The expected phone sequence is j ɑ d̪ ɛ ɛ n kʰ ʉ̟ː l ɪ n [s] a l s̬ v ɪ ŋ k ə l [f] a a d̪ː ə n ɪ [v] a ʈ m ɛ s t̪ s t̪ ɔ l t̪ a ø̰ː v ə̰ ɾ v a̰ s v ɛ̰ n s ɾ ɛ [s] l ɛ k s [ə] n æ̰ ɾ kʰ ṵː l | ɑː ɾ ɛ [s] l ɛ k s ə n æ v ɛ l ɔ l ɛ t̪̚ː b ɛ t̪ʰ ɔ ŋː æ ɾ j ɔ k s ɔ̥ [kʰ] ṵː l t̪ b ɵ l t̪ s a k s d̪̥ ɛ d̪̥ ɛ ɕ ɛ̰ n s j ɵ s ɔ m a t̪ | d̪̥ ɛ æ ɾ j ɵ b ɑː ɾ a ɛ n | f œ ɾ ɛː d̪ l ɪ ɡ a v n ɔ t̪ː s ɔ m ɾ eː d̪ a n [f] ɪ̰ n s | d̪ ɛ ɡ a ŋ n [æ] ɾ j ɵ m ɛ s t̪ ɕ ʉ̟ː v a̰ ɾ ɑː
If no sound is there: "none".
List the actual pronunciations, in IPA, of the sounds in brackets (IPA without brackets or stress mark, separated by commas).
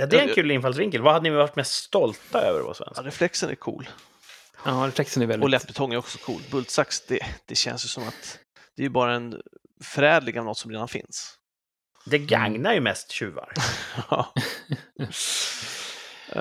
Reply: f, v, v, f, ə, f, kʰ, f, a